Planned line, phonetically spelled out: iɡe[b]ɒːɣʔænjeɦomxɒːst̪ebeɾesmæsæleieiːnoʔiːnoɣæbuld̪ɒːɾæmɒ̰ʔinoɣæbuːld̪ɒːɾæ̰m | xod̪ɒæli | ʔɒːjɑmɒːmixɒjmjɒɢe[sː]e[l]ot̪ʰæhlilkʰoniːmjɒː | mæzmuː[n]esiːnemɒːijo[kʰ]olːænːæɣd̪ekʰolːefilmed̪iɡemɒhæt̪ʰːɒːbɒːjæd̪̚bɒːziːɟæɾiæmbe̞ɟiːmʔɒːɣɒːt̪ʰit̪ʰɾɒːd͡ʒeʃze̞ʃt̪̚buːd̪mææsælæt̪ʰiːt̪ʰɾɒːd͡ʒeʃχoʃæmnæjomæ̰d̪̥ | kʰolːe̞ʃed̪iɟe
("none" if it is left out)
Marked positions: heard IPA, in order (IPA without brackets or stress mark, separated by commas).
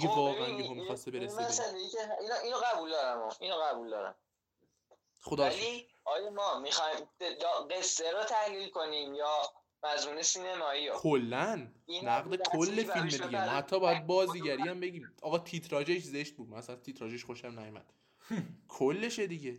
v, sː, ɾ, n, kʰ